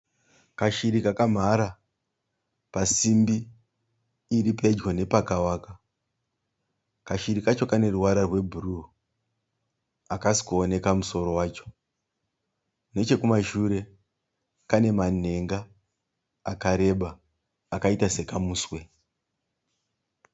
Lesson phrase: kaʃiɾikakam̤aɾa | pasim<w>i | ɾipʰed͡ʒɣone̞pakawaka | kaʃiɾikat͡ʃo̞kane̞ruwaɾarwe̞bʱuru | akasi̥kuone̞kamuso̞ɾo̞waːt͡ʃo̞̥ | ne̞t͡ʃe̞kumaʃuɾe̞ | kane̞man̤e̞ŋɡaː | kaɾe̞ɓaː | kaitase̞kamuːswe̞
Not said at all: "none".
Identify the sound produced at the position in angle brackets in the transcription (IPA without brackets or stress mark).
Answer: b